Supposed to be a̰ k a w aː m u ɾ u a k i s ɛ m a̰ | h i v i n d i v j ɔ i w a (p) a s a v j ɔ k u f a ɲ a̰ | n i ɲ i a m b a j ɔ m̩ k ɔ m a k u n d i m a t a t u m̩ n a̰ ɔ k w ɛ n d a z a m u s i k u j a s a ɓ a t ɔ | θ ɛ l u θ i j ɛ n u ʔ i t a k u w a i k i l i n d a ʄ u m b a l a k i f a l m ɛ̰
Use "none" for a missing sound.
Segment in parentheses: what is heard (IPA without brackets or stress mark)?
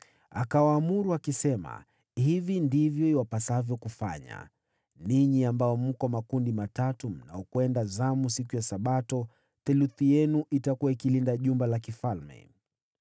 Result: p